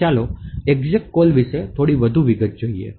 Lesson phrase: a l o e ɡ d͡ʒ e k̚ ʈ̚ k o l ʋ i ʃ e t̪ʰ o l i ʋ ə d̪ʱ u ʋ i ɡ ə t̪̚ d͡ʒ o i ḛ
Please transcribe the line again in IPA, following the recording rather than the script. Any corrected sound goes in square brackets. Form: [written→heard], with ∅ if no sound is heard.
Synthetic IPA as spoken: a l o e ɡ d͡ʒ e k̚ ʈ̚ k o l ʋ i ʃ e t̪ʰ o [l→ɽ] i ʋ ə d̪ʱ u ʋ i ɡ ə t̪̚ d͡ʒ o i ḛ

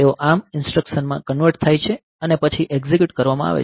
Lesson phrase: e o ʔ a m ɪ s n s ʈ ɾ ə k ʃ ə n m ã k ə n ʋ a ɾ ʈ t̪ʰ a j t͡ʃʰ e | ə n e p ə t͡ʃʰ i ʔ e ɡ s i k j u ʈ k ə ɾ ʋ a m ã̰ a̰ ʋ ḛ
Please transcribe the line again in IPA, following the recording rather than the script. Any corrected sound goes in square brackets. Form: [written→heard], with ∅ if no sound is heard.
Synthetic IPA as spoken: e o ʔ a m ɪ [s→∅] n s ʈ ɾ ə k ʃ ə n m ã k ə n ʋ [a→ə] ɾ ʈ t̪ʰ a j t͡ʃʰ e | ə n e p ə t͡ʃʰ i ʔ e ɡ [s→z] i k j u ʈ k ə ɾ ʋ a m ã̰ a̰ ʋ ḛ

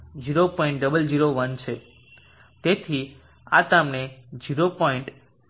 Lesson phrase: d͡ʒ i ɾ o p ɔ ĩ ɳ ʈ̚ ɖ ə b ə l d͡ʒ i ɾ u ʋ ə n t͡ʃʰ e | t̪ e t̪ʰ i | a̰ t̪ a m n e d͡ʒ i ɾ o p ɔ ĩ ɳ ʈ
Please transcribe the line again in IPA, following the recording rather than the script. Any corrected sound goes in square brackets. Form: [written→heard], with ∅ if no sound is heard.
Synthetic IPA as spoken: d͡ʒ i ɾ o p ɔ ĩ ɳ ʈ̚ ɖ ə b ə l d͡ʒ i ɾ [u→o] ʋ ə n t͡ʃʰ e | t̪ e t̪ʰ i | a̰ t̪ a m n e d͡ʒ i ɾ o p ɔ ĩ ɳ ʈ

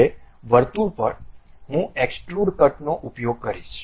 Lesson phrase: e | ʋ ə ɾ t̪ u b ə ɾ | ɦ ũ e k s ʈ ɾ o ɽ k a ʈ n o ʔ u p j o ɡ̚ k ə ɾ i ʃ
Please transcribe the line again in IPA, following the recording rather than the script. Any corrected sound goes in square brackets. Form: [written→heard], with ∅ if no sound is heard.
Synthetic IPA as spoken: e | ʋ ə ɾ t̪ u [b→p] ə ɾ | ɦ ũ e k s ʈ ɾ [o→u] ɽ k [a→ə] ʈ n o ʔ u p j o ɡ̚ k ə ɾ i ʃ

